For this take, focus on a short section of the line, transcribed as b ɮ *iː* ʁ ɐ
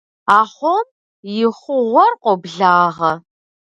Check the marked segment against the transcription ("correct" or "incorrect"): incorrect